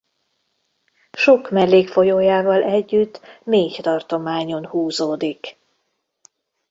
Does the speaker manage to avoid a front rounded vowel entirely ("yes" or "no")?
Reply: no